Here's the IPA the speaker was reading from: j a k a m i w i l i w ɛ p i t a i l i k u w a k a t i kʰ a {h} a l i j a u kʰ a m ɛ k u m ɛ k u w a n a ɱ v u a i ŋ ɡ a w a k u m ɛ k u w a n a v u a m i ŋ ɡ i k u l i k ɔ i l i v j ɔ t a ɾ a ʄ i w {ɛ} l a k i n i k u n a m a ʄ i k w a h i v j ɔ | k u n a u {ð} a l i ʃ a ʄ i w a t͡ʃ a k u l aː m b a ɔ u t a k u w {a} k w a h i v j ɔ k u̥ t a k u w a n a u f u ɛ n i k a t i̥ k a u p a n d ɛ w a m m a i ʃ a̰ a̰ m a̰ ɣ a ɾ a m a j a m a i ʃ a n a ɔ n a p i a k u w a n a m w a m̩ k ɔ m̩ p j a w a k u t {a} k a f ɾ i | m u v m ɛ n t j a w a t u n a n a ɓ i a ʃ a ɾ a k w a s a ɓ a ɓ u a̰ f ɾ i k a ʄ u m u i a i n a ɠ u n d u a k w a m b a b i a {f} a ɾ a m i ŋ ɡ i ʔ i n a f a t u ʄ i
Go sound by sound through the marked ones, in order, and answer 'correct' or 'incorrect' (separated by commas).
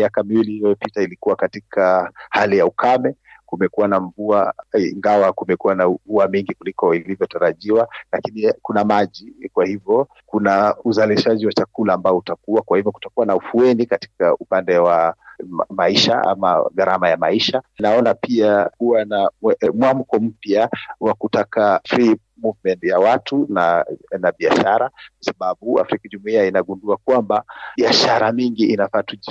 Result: correct, incorrect, incorrect, correct, correct, incorrect